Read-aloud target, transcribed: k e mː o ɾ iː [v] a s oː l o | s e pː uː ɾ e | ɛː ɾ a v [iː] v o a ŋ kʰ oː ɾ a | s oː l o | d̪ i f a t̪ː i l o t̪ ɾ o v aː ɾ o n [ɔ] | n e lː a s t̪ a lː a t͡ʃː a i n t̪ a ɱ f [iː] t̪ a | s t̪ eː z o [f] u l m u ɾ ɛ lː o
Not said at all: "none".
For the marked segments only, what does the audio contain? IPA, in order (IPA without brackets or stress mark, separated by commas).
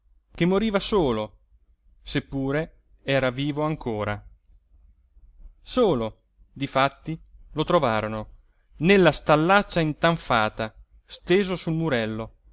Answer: v, iː, o, aː, s